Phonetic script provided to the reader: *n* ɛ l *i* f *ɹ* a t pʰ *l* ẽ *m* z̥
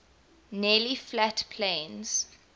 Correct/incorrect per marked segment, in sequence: correct, correct, incorrect: l, correct, incorrect: n

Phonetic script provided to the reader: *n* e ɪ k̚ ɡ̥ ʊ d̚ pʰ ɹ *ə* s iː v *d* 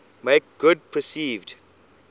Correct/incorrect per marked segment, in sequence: incorrect: m, correct, correct

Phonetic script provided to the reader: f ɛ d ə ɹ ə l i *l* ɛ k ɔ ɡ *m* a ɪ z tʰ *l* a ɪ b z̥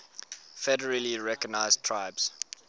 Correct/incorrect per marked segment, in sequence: incorrect: ɹ, incorrect: n, incorrect: ɹ

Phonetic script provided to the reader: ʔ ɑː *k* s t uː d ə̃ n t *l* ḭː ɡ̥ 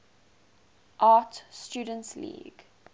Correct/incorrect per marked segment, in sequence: incorrect: t, correct

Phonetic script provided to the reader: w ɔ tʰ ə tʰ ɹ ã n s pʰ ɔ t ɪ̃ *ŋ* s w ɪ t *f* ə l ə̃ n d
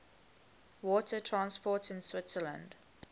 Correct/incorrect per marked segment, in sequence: incorrect: n, incorrect: s

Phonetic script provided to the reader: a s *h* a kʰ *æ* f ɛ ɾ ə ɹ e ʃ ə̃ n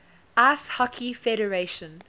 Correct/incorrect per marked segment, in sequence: correct, incorrect: i

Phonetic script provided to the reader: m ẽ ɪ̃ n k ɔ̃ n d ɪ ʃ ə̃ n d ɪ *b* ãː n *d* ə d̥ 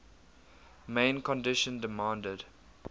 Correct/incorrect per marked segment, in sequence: incorrect: m, correct

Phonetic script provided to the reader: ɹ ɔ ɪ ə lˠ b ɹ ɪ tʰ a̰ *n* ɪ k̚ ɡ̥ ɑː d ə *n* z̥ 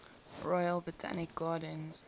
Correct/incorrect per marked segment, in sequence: correct, correct

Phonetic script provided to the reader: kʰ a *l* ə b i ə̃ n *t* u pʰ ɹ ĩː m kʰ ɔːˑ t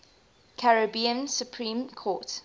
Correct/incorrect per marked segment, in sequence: incorrect: ɹ, incorrect: s

